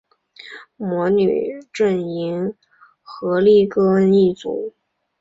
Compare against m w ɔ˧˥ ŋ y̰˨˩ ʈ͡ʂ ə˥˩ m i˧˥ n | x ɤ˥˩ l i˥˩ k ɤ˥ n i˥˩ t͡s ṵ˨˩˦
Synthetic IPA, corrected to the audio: m w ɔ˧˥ n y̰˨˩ ʈ͡ʂ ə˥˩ n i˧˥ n | x ɤ˧˥ l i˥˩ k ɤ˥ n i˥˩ t͡s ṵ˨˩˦